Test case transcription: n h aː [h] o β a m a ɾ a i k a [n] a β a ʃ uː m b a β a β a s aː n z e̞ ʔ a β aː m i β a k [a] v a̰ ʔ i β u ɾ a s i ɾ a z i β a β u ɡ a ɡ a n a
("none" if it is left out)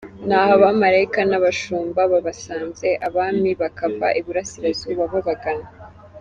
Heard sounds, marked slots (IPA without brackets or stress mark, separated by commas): h, n, a